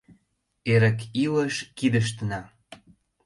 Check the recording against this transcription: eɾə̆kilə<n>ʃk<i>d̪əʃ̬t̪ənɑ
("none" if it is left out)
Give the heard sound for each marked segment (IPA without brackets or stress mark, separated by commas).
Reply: none, i